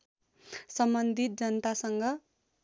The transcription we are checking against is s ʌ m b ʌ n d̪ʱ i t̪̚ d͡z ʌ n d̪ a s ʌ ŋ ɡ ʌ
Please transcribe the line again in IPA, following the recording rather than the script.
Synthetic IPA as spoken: s ʌ m b ʌ n d̪ʱ i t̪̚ d͡z ʌ n t̪ a s ʌ ŋ ɡ ʌ